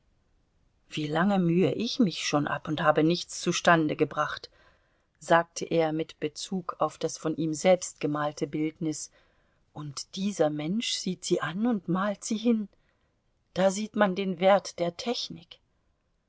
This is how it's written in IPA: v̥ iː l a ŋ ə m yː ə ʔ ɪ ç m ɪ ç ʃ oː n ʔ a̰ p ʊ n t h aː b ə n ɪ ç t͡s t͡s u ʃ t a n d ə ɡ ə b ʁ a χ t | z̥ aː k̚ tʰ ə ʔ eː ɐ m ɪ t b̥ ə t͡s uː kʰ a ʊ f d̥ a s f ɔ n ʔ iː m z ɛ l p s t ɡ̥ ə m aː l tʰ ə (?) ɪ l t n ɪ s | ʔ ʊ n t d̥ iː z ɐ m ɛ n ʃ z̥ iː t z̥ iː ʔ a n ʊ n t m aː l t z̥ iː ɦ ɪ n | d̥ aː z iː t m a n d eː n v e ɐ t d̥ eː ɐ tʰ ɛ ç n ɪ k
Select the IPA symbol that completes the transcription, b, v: b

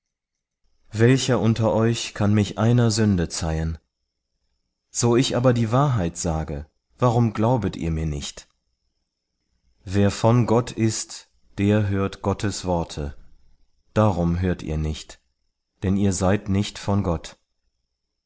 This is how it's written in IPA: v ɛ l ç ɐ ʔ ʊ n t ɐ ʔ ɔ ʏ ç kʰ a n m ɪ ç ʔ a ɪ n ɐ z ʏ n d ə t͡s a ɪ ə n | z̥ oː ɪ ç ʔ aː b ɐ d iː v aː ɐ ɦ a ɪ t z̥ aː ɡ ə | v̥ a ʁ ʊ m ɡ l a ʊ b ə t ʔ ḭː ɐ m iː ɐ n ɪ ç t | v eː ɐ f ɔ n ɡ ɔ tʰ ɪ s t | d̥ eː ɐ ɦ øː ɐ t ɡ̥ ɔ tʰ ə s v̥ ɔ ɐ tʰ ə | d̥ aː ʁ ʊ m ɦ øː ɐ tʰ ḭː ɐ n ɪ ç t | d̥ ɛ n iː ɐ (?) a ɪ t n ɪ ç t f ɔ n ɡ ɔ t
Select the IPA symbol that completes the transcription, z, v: z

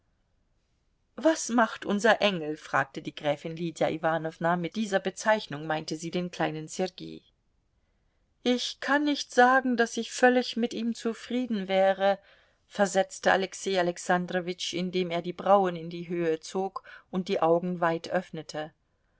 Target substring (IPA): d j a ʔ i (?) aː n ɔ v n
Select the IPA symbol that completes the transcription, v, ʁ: v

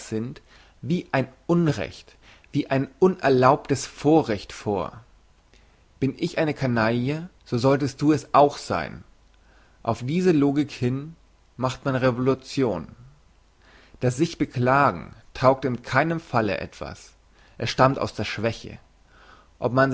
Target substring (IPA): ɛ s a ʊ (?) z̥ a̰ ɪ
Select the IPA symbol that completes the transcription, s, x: x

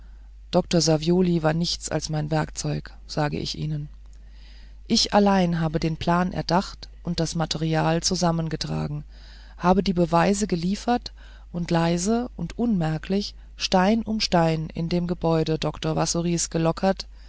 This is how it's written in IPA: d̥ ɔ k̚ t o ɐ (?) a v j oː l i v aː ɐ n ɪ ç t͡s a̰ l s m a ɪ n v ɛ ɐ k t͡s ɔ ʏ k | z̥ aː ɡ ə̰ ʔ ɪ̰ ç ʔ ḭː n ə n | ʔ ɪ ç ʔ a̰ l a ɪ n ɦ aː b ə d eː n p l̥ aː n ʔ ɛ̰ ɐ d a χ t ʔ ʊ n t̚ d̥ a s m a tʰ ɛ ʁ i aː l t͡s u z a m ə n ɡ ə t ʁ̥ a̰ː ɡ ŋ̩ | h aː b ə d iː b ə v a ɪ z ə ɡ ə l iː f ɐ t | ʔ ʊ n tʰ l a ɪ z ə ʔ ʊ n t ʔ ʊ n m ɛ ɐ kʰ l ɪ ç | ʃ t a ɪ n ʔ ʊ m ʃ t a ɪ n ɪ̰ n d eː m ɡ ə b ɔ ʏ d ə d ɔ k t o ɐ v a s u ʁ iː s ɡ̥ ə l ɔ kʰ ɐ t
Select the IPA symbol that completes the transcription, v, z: z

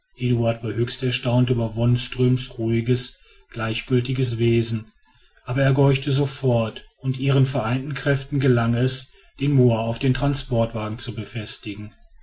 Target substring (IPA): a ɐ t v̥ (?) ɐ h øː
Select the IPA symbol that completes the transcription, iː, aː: aː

